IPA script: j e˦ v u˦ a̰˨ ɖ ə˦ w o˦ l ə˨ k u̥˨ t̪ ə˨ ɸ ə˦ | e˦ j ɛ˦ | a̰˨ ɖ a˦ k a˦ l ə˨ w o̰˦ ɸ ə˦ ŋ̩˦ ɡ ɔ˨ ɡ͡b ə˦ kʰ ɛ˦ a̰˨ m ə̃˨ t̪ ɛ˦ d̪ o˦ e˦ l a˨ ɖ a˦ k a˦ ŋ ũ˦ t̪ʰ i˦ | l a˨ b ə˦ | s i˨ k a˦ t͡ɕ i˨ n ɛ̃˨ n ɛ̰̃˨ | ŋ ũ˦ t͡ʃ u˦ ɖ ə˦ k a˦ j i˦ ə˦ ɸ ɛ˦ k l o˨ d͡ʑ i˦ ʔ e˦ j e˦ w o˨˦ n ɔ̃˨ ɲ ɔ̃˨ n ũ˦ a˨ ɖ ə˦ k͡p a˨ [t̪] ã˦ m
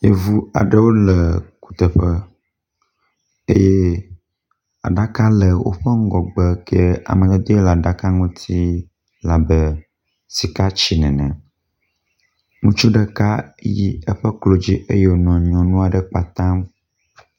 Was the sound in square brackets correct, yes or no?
yes